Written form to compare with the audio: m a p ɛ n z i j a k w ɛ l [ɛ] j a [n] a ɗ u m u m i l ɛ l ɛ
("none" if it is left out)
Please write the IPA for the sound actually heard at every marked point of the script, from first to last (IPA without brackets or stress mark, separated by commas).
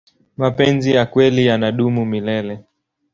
i, n